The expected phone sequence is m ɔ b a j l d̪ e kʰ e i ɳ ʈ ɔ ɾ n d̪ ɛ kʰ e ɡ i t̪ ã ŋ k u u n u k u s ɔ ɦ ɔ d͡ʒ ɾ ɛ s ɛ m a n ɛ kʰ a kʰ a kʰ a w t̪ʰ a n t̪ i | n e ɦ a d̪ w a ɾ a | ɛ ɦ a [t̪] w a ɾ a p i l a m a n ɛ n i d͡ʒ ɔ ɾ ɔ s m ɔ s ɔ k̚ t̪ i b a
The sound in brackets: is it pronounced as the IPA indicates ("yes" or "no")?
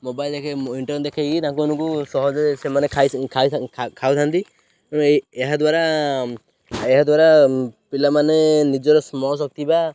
no